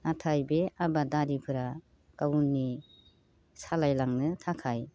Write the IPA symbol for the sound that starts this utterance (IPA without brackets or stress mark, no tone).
a